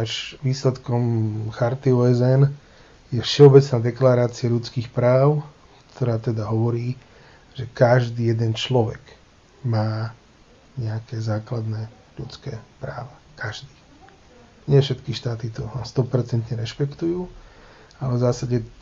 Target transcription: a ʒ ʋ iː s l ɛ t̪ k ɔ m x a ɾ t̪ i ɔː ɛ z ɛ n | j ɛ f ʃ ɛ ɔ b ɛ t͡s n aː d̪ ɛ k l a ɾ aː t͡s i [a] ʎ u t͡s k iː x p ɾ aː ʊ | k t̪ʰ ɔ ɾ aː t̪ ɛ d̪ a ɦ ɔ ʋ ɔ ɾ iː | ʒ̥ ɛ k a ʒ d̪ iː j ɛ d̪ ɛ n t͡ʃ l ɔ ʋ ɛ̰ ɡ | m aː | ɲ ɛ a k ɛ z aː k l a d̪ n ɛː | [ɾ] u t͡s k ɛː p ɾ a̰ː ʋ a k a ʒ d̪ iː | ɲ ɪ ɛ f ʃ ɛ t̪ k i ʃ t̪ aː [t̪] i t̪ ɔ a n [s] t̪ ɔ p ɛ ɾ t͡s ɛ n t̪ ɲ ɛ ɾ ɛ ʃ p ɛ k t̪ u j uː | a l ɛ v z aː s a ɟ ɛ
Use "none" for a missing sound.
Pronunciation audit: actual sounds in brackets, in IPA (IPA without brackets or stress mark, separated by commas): a, ʎ, t̪, s